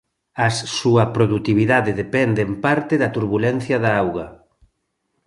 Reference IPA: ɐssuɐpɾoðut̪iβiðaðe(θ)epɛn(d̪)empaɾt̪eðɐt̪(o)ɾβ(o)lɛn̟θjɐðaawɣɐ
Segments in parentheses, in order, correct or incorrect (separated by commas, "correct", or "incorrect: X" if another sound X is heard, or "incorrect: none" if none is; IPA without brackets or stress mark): incorrect: ð, correct, incorrect: u, incorrect: u